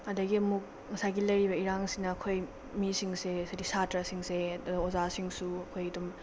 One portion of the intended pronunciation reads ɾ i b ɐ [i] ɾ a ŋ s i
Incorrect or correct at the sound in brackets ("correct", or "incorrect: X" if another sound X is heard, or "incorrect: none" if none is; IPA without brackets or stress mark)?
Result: correct